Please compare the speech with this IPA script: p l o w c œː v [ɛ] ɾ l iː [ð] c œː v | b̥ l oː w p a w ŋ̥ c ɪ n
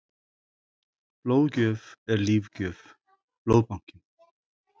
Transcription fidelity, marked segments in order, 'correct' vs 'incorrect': correct, incorrect: v

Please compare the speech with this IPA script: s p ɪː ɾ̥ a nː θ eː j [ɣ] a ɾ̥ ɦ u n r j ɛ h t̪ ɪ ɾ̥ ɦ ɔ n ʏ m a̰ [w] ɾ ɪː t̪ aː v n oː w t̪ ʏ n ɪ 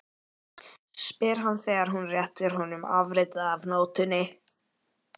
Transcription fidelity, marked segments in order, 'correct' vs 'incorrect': correct, incorrect: v

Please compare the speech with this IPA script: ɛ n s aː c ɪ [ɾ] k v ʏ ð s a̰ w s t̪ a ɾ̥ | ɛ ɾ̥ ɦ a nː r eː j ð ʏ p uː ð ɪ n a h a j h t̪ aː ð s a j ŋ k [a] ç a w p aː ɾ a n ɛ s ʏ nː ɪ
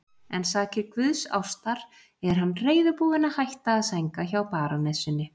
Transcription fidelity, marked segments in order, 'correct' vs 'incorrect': correct, correct

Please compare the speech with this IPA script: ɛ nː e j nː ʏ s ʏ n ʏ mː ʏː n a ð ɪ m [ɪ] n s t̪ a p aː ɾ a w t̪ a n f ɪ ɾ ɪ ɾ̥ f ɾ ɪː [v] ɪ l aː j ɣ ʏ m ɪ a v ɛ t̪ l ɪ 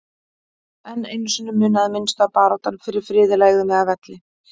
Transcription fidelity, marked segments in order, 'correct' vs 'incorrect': correct, incorrect: ð

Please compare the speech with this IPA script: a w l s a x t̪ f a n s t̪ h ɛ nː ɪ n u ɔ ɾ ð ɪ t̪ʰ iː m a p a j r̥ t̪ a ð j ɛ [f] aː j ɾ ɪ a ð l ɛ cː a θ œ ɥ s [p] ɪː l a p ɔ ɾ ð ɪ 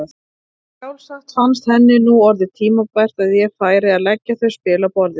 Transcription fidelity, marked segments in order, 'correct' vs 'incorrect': correct, correct

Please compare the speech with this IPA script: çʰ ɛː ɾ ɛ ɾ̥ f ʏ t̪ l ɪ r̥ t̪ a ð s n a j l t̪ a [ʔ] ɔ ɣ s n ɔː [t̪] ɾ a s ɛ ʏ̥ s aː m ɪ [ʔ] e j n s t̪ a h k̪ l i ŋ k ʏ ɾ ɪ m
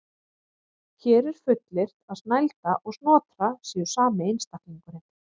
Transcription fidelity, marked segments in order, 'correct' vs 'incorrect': correct, correct, incorrect: none

